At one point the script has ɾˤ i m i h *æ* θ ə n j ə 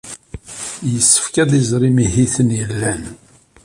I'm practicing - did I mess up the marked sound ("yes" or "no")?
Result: yes